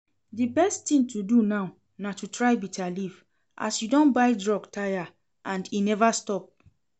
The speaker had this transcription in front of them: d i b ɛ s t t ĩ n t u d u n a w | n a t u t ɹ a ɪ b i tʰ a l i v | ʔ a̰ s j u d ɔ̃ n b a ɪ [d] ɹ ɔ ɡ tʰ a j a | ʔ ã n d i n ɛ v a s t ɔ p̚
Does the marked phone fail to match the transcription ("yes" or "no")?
no